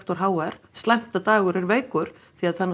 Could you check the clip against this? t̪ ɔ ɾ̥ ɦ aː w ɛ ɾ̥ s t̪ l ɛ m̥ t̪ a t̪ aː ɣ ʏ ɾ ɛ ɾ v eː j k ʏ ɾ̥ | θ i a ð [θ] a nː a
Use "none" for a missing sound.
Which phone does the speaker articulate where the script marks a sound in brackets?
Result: θ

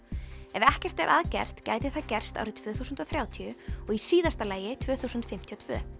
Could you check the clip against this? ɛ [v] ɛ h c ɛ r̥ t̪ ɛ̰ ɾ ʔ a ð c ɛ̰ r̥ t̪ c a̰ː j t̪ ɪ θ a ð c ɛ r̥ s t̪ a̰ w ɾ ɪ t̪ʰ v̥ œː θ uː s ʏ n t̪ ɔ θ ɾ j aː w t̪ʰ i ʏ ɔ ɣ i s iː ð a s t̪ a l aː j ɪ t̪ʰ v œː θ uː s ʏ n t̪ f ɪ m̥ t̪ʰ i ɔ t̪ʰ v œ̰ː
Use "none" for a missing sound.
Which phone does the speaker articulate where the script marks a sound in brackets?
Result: v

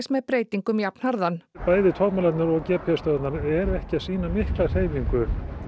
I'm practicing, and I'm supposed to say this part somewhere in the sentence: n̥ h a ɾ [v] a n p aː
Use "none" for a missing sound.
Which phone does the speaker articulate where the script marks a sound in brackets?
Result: ð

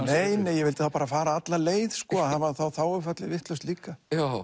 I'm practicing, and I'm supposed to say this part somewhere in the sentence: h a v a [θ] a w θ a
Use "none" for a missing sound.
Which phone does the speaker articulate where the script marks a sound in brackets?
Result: θ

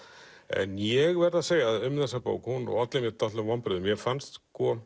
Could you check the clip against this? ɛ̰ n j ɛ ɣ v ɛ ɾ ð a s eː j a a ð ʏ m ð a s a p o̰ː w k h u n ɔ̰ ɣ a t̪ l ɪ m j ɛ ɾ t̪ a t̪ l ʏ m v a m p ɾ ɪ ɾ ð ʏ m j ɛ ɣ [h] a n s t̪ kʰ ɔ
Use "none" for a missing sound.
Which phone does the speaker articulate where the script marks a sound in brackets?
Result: f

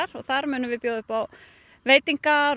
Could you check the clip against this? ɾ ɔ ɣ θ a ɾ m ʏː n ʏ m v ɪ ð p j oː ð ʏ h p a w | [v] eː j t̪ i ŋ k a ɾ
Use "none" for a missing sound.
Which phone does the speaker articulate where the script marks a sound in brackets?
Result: v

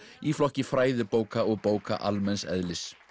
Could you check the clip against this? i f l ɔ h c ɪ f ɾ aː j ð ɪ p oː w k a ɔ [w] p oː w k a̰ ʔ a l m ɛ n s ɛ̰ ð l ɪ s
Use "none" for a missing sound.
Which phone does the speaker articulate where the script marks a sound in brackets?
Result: ɣ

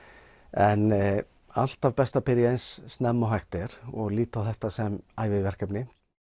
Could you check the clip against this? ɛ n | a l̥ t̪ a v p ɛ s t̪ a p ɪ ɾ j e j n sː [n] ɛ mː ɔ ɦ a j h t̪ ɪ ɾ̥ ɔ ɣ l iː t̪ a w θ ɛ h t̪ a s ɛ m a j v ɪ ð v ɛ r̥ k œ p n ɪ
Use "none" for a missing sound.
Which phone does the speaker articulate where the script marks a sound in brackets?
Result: n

